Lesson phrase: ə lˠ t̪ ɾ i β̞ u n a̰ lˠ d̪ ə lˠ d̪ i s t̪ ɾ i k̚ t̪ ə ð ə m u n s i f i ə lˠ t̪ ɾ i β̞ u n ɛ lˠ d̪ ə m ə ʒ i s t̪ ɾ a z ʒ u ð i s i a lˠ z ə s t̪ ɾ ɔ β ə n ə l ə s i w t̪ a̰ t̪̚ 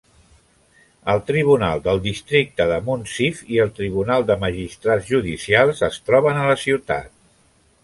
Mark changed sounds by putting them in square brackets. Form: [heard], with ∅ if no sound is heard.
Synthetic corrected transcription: ə lˠ t̪ ɾ i β̞ u n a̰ lˠ d̪ ə lˠ d̪ i s t̪ ɾ i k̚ t̪ ə ð ə m u n s i f i ə lˠ t̪ ɾ i β̞ u n [a] lˠ d̪ ə m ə ʒ i s t̪ ɾ a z ʒ u ð i s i a lˠ z ə s t̪ ɾ ɔ β ə n ə l ə s i w t̪ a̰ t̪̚